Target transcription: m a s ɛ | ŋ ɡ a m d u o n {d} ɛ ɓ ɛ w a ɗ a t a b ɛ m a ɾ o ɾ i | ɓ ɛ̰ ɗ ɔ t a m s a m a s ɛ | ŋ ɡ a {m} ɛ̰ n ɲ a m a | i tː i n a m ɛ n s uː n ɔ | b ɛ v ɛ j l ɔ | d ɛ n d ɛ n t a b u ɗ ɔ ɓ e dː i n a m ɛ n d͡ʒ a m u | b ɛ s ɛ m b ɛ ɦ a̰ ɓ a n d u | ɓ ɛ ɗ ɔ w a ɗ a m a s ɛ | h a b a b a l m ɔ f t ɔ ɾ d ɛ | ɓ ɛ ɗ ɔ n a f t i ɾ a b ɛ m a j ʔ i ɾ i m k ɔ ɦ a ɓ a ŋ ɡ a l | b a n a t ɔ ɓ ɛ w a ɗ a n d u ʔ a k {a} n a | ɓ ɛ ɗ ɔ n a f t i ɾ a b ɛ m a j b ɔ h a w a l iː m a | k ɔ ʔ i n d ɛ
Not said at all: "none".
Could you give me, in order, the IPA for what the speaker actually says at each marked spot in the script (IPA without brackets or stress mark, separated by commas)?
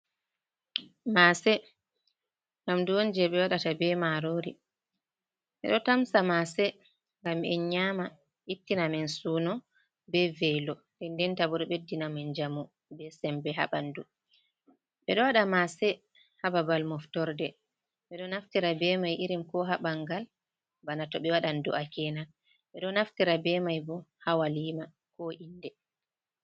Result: d͡ʒ, m, ɛ